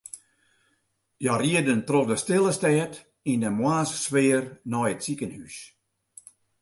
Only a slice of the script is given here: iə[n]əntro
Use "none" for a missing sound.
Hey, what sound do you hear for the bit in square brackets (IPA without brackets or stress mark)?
d